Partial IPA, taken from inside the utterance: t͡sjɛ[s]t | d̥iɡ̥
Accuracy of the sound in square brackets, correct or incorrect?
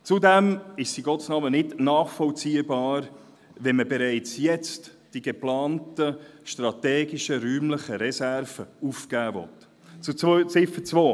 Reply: incorrect